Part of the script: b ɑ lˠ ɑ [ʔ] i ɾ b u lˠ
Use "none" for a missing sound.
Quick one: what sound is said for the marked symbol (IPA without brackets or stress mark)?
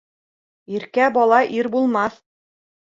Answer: ʔ